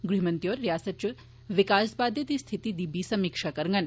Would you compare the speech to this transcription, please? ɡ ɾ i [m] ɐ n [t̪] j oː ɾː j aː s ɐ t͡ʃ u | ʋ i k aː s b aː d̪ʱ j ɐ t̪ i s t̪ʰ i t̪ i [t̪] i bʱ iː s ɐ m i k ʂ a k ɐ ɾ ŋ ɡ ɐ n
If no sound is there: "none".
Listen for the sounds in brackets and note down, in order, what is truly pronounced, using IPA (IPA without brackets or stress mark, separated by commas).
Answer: m, t̪, d̪